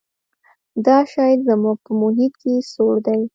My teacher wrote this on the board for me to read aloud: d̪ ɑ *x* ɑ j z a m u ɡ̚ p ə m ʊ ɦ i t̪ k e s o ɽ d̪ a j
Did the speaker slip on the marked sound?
yes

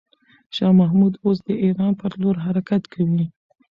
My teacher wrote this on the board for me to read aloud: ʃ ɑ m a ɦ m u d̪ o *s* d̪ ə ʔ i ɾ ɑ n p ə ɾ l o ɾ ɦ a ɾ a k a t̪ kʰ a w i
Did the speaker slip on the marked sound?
no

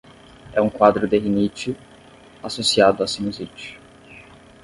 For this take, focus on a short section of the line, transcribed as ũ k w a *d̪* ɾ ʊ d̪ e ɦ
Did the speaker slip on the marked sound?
no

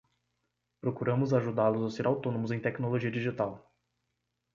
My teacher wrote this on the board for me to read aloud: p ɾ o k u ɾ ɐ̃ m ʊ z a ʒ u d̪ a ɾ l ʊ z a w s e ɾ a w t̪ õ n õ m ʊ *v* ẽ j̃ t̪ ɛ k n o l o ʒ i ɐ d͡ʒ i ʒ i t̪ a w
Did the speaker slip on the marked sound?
yes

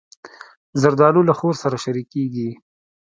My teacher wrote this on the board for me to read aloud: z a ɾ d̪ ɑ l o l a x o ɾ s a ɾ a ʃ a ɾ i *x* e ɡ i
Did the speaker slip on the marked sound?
yes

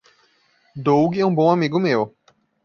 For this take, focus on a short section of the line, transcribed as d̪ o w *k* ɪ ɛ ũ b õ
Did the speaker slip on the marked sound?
yes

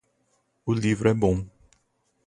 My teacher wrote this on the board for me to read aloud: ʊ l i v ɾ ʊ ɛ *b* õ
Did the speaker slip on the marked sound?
no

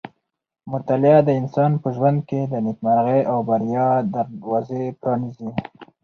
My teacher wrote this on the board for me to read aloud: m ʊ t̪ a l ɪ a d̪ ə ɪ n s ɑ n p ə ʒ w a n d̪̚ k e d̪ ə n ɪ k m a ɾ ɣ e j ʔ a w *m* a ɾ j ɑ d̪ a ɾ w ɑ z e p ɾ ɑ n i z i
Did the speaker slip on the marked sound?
yes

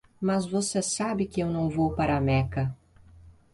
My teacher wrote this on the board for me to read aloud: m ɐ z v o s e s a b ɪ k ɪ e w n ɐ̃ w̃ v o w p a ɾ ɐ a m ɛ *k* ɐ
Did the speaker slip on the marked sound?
no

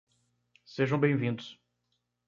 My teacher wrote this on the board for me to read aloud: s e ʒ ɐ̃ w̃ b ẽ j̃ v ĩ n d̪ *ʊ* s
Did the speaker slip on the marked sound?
no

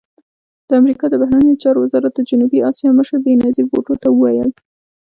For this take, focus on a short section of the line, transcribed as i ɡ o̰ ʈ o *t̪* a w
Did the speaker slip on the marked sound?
no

